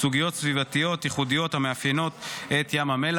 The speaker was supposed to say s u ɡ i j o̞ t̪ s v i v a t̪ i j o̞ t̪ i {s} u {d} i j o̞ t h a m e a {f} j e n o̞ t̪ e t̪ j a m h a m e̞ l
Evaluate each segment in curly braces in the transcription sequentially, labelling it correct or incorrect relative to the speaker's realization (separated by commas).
incorrect, correct, correct